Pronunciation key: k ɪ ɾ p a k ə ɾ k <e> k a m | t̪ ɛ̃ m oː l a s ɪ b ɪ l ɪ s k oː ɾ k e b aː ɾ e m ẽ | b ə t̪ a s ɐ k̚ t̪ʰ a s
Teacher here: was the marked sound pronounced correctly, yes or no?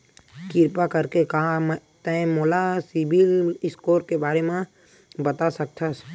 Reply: yes